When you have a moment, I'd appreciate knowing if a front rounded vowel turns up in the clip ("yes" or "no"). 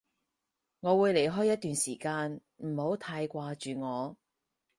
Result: yes